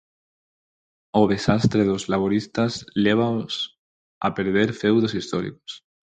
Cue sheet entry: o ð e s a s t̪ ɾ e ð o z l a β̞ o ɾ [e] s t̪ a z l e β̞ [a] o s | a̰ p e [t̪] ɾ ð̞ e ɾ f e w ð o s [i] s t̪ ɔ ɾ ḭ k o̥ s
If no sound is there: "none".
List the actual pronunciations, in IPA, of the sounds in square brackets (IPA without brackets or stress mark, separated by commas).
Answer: i, a, none, i